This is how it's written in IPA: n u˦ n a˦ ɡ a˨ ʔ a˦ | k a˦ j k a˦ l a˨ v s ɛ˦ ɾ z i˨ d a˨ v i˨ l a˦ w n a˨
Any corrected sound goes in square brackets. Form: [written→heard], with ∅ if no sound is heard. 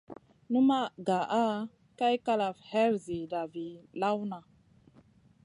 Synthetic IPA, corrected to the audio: n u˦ [n→m] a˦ ɡ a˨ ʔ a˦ | k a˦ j k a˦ l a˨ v [s→h] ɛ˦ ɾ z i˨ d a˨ v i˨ l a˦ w n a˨